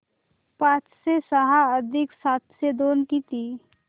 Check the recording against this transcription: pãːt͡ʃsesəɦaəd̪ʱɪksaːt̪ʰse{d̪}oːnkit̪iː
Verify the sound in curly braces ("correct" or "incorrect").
correct